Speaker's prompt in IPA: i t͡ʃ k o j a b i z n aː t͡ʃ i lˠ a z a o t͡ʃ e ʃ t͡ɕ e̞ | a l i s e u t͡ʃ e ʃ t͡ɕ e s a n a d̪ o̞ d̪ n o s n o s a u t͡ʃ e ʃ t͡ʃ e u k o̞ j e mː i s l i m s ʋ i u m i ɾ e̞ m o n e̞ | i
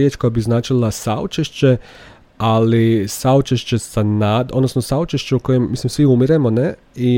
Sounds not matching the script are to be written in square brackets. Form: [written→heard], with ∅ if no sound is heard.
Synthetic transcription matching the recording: [i→e] t͡ʃ k o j a b i z n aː t͡ʃ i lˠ a [z→s] a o t͡ʃ e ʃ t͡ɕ e̞ | a l i s [e→a] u t͡ʃ e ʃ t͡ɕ e s a n a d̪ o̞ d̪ n o s n o s a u t͡ʃ e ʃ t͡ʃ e u k o̞ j e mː i s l i m s ʋ i u m i ɾ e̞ m o n e̞ | i